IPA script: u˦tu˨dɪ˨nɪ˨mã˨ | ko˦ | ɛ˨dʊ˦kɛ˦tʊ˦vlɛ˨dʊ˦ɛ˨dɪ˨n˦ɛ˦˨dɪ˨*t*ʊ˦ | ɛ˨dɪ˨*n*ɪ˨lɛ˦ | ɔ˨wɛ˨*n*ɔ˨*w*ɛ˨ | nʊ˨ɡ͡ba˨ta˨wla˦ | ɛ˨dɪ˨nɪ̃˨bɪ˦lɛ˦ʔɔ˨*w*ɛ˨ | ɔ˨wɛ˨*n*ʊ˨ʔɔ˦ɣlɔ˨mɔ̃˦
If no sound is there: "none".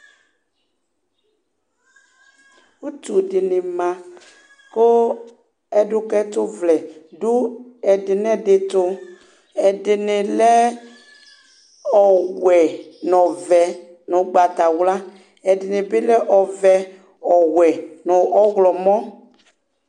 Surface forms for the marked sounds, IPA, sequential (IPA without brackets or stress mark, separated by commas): t, n, n, v, v, n